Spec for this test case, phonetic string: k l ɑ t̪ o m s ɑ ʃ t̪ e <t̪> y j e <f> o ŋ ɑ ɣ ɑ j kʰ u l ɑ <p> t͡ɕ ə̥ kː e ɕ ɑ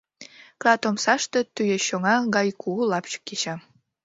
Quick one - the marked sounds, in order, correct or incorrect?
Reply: correct, incorrect: ɕ, correct

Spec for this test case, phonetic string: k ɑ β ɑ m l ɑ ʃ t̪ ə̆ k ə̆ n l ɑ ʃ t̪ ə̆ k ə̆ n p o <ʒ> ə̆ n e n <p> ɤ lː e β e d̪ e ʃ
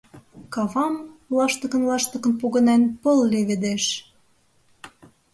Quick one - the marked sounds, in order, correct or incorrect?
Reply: incorrect: ɣ, correct

